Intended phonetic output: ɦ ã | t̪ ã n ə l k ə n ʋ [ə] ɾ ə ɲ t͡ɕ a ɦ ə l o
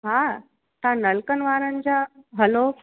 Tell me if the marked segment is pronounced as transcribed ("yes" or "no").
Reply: no